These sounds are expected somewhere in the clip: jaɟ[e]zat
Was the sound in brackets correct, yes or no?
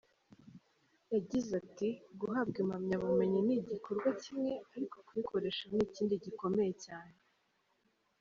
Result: no